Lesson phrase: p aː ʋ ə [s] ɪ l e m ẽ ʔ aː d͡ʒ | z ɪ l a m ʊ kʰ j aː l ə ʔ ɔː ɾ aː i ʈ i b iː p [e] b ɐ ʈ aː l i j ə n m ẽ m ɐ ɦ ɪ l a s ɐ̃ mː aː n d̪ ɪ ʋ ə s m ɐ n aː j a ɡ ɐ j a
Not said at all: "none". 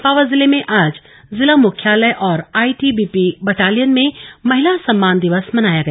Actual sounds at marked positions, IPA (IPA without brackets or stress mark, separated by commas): z, i